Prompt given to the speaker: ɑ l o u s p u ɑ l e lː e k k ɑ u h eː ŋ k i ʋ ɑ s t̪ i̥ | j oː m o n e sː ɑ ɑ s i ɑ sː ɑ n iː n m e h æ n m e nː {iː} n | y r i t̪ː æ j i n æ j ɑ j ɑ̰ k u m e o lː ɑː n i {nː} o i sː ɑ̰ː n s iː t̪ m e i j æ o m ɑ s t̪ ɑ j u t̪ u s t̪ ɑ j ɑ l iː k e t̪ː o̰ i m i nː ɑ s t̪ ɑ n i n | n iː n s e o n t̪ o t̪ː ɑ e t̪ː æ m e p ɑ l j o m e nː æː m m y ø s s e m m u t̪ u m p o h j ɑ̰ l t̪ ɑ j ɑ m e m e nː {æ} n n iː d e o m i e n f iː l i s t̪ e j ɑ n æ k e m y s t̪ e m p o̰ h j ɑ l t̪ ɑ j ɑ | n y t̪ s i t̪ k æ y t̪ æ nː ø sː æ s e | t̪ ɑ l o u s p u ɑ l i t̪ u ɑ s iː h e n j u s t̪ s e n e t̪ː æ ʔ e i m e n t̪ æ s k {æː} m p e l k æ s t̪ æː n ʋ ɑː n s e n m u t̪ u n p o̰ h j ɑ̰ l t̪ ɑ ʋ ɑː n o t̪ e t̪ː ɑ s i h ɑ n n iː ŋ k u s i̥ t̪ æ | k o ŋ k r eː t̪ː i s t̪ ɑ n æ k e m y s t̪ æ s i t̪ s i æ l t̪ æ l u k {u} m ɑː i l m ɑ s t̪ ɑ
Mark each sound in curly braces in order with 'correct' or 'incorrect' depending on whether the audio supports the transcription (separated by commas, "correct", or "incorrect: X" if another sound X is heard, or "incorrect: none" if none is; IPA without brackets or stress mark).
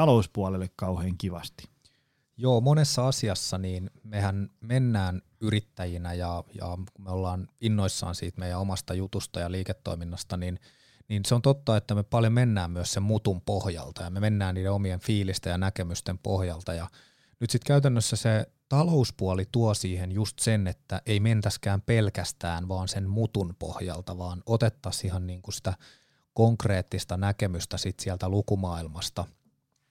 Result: incorrect: æː, correct, incorrect: æː, correct, correct